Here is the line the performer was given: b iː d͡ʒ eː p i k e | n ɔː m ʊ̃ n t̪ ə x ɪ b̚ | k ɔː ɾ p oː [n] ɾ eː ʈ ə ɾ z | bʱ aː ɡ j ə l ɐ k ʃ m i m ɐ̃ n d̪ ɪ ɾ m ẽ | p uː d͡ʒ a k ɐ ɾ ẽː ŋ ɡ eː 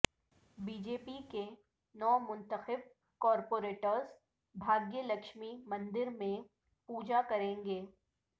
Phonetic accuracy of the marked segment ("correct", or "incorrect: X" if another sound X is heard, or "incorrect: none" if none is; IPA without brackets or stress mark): incorrect: none